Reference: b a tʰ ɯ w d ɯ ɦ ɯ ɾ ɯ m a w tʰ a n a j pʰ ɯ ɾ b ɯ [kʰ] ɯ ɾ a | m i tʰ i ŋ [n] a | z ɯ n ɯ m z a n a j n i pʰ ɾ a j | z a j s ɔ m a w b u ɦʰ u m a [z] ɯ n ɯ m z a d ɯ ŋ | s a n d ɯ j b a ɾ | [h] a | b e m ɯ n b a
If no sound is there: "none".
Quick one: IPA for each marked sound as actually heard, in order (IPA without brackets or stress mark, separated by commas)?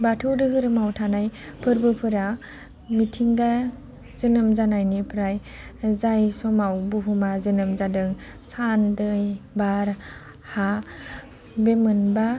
pʰ, d, z, h